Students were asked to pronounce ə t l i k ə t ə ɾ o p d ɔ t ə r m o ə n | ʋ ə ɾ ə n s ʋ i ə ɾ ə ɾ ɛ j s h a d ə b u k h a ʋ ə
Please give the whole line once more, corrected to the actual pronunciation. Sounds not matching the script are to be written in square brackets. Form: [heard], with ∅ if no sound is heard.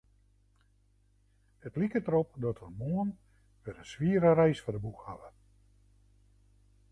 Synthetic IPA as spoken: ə t l i k ə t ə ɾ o p d ɔ t ə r m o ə n | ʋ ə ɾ ə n s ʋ i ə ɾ ə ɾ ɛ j s [f] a d ə b u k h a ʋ ə